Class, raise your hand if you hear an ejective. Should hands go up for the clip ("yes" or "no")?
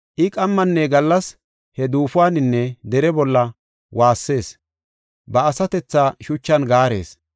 yes